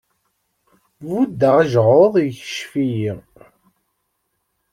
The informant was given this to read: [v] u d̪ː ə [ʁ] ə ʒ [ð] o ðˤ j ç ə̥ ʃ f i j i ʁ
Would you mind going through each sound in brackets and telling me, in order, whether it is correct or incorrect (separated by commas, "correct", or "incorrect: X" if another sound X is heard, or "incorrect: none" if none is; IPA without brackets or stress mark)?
correct, correct, incorrect: ʁ